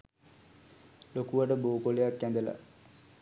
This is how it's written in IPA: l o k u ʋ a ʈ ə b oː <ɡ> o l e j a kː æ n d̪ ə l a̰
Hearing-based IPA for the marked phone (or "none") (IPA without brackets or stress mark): k